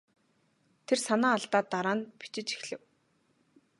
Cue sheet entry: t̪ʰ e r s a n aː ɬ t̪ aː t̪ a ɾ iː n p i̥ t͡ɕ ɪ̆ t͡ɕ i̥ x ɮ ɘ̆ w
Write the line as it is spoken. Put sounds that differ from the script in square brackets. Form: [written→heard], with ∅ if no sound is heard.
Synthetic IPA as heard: t̪ʰ e r s a n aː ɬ t̪ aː t̪ a ɾ [iː→aː] n p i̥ t͡ɕ ɪ̆ t͡ɕ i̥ x ɮ ɘ̆ w